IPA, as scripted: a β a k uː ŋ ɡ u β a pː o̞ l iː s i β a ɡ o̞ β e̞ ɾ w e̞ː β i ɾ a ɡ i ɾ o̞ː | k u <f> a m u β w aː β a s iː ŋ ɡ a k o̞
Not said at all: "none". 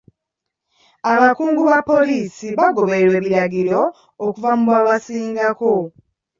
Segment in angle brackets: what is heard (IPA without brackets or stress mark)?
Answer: v